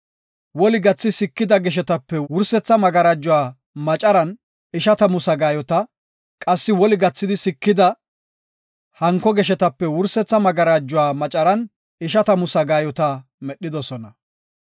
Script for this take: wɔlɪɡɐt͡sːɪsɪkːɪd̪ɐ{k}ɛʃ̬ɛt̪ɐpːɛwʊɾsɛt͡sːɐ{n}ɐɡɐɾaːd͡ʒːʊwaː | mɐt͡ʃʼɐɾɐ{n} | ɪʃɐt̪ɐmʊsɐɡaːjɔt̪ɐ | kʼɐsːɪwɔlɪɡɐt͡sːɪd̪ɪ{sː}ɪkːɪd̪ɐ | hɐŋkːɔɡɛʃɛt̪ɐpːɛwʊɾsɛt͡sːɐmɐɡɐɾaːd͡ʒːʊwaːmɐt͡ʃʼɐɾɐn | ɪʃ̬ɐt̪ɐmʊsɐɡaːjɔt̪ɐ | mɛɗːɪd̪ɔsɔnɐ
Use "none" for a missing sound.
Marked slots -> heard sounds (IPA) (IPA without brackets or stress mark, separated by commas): ɡ, m, n, s